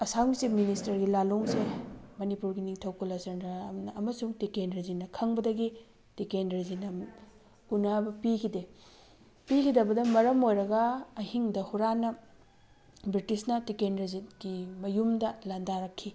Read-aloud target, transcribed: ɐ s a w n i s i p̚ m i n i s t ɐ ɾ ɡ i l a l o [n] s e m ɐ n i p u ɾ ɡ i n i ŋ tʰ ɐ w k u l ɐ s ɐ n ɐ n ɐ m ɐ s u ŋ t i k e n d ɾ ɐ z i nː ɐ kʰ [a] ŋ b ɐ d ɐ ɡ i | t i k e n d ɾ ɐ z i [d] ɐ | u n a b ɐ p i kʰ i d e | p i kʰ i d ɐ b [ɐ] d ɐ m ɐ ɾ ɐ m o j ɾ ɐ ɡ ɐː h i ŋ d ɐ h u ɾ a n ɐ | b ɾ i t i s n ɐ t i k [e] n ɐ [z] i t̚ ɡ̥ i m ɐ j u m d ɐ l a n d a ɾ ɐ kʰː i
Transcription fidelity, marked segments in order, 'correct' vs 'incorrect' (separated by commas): incorrect, incorrect, incorrect, correct, correct, correct